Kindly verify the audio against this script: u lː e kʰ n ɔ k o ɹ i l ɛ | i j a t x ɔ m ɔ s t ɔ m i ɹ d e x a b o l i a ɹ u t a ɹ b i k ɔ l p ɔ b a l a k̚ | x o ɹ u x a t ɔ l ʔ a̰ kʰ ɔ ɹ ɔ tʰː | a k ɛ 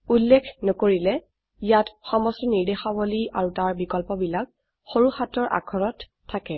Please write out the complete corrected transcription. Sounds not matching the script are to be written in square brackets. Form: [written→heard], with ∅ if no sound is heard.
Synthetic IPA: u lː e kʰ n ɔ k o ɹ i l ɛ | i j a t x ɔ m ɔ s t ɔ [m→n] i ɹ d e x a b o l i a ɹ u t a ɹ b i k ɔ l p ɔ b [a→i] l a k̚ | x o ɹ u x a t ɔ [l→ɹ] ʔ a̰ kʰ ɔ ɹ ɔ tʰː | a k ɛ